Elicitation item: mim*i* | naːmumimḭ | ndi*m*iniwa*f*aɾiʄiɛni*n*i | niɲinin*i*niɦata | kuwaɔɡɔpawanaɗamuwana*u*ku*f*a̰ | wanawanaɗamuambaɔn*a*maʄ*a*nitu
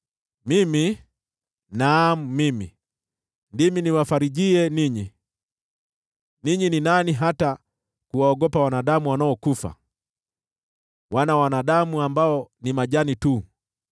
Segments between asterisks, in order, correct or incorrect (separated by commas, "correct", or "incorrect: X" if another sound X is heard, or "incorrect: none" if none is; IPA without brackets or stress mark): correct, correct, correct, incorrect: ɲ, incorrect: a, incorrect: ɔ, correct, incorrect: i, correct